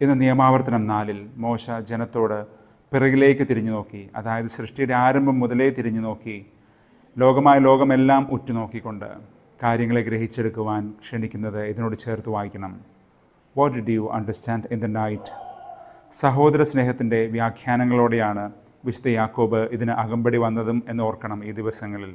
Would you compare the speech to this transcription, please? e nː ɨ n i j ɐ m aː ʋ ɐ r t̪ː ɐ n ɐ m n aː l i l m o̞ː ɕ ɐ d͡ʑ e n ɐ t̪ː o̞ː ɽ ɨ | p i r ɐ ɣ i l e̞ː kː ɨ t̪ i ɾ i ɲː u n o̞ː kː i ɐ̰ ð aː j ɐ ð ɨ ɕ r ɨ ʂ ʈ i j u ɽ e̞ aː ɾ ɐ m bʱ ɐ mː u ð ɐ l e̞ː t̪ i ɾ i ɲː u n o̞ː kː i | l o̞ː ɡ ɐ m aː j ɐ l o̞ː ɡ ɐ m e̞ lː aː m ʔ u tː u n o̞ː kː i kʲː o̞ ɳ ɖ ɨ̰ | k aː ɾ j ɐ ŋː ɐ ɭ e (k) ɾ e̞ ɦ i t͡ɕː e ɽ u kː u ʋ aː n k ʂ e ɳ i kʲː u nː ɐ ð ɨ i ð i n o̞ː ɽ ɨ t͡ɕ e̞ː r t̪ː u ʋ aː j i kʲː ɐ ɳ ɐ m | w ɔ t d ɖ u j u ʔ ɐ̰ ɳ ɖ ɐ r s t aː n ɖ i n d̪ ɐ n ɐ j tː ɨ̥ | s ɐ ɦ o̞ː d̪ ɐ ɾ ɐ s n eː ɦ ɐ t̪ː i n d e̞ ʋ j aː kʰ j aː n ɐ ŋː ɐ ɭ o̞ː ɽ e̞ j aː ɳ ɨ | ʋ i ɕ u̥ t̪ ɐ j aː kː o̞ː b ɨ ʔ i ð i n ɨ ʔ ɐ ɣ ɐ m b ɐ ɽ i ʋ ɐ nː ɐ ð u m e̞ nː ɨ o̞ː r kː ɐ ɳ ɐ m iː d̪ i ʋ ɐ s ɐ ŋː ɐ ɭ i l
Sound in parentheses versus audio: incorrect: ɡ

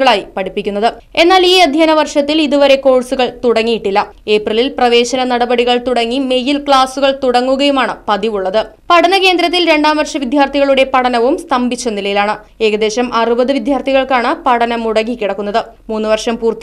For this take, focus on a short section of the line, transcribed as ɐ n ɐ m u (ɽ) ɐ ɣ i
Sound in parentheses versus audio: correct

